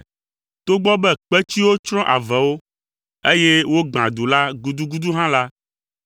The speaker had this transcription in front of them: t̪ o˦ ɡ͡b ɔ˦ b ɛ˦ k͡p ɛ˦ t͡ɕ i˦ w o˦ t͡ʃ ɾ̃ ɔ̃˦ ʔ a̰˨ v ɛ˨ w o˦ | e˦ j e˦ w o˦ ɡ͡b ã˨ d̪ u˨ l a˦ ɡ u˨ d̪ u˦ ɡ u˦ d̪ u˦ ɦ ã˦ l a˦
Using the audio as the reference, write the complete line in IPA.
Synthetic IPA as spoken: t̪ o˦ ɡ͡b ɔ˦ b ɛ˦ k͡p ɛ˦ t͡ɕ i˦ w o˦ t͡ʃ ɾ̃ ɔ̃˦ ʔ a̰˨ v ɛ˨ w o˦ | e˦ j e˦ w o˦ ɡ͡b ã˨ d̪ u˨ l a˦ ɡ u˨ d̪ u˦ ɡ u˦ d̪ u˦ ɦ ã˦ l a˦